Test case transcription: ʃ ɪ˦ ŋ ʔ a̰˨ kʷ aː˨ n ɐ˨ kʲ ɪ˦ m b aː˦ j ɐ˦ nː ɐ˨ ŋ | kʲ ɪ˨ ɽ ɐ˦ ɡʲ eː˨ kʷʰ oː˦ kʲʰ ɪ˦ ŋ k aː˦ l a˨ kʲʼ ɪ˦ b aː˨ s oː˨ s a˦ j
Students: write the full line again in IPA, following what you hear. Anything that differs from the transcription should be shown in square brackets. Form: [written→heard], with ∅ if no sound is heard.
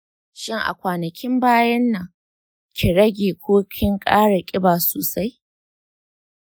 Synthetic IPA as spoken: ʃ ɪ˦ ŋ ʔ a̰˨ kʷ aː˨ n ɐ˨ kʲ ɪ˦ m b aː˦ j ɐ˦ nː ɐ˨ ŋ | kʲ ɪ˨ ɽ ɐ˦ ɡʲ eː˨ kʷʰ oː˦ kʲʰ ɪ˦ ŋ [k→kʼ] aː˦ [l→ɽ] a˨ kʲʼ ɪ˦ b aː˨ s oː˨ s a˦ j